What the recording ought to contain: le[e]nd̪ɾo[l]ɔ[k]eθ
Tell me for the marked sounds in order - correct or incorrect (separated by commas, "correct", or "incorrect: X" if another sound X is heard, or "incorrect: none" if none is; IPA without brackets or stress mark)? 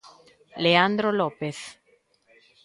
incorrect: a, correct, incorrect: p